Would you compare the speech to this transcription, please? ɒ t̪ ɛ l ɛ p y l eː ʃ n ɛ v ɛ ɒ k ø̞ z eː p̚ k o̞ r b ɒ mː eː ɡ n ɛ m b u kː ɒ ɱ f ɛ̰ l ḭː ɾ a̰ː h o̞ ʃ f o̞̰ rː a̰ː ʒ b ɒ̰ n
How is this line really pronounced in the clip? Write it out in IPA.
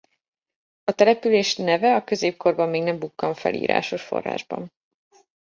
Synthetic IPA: ɒ t̪ ɛ l ɛ p y l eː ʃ n ɛ v ɛ ɒ k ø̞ z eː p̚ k o̞ r b ɒ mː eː ɡ n ɛ m b u kː ɒ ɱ f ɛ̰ l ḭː ɾ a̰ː ʃ o̞ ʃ f o̞̰ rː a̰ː ʒ b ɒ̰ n